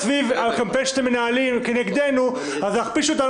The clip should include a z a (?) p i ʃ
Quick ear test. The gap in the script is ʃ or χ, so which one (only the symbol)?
χ